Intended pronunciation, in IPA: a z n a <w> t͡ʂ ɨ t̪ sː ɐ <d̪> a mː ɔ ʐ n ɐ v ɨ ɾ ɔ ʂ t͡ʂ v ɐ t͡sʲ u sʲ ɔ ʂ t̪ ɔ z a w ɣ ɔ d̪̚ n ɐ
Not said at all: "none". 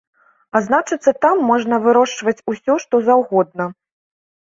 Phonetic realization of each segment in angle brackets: none, t̪

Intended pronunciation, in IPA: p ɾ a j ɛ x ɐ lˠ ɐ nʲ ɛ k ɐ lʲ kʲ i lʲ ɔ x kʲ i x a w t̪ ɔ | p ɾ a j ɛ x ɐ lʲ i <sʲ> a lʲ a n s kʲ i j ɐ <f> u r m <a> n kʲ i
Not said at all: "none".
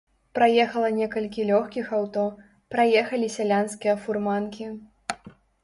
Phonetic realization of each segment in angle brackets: sʲ, f, a

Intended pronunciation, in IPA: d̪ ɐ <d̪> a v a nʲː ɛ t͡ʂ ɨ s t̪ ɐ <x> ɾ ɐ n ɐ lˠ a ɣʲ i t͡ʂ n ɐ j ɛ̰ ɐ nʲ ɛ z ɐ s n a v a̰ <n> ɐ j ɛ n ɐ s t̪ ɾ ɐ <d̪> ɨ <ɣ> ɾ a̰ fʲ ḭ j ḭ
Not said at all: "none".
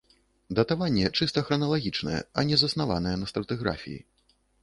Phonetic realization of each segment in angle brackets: t̪, x, n, t̪, ɣ

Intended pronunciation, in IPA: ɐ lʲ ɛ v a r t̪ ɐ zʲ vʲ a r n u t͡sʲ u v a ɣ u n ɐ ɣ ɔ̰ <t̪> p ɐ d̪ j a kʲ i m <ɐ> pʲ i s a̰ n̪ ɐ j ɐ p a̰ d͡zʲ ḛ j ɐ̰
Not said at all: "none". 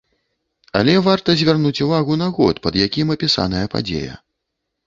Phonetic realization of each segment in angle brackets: t̪, ɐ

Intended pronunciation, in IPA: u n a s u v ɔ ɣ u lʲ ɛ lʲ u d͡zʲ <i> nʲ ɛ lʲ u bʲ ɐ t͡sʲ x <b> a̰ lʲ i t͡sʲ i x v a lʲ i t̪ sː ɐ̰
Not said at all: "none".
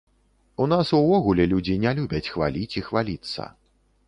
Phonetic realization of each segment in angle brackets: i, v

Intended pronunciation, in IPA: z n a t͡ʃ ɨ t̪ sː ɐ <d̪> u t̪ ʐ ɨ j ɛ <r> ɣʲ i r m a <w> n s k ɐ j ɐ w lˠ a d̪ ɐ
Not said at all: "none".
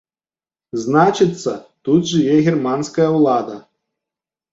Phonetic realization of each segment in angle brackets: t̪, none, none

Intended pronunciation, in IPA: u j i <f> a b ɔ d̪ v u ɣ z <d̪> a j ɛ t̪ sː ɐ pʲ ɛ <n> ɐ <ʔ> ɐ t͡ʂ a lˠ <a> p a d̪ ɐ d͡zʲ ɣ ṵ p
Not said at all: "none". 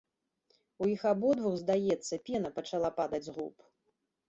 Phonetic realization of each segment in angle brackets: x, d̪, n, p, a

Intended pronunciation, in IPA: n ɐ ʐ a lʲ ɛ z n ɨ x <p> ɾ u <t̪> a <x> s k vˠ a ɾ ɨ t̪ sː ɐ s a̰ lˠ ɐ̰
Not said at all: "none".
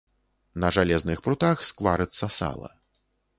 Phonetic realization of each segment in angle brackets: p, t̪, x

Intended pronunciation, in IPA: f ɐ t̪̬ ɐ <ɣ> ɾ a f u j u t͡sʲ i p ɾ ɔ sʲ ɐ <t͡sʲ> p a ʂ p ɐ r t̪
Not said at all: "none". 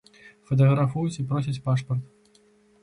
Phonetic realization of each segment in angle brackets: ɣ, t͡sʲ

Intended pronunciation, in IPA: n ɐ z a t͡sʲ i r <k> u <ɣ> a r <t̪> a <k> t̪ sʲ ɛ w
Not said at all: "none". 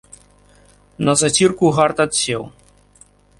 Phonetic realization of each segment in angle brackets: k, ɣ, t̪, none

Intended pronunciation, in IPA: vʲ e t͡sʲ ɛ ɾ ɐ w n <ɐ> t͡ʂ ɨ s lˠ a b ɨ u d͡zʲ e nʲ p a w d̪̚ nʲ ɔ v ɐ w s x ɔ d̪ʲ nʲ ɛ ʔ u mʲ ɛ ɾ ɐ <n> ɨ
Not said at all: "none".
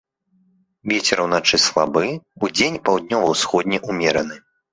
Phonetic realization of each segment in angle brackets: a, n

